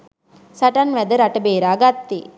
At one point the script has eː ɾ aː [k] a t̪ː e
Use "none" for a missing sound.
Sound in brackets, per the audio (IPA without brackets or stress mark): ɡ